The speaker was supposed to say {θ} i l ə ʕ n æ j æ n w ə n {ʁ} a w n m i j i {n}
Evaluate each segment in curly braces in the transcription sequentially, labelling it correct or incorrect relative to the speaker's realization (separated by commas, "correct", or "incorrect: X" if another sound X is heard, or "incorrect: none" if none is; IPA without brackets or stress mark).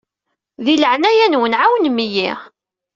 incorrect: ð, incorrect: ʕ, incorrect: none